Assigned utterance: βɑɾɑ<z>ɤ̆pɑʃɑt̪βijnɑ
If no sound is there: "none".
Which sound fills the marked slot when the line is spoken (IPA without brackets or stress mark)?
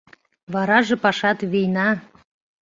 ʒ